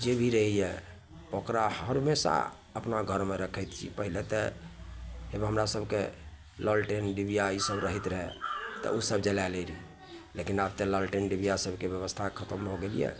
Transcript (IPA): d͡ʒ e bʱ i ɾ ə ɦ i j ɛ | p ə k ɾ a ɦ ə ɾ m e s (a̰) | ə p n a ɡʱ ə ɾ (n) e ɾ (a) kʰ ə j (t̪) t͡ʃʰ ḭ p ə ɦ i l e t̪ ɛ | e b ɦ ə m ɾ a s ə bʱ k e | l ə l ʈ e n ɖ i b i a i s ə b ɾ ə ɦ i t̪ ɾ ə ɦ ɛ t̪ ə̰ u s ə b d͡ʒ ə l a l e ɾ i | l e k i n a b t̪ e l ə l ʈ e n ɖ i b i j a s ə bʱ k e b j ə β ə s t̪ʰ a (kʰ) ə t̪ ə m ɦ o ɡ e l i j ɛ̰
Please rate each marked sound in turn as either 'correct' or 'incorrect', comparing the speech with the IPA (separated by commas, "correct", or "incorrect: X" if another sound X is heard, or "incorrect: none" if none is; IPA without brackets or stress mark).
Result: correct, incorrect: m, incorrect: ə, correct, correct